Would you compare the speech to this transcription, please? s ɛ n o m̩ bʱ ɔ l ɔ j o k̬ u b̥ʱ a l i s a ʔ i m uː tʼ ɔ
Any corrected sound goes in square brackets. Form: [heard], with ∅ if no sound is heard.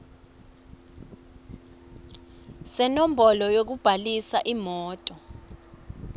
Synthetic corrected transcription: s ɛ n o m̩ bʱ ɔ l ɔ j o k̬ u b̥ʱ a l i s a ʔ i m [ɔː] tʼ ɔ